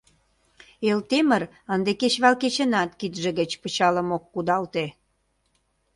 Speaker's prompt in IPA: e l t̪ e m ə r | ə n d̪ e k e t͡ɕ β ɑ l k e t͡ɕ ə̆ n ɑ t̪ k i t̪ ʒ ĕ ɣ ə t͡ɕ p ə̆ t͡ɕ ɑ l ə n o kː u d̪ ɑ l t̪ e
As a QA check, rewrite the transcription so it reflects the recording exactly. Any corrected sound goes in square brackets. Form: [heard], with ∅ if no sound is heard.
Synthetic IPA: e l t̪ e m ə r | ə n d̪ e k e t͡ɕ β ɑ l k e t͡ɕ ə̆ n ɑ t̪ k i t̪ ʒ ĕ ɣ ə t͡ɕ p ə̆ t͡ɕ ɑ l ə [m] o kː u d̪ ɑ l t̪ e